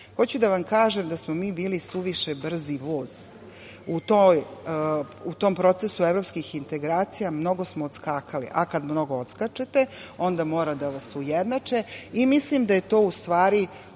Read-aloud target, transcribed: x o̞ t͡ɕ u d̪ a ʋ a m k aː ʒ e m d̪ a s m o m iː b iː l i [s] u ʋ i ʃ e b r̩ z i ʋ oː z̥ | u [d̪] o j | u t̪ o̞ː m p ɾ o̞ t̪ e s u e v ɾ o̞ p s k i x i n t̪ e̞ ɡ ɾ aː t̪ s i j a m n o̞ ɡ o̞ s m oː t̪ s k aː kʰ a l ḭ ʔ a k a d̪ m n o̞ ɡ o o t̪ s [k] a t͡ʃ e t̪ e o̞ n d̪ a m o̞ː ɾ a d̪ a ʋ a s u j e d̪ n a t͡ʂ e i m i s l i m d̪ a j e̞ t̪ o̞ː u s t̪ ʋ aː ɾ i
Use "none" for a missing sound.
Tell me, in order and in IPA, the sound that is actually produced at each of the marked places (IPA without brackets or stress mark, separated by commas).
s, t̪, k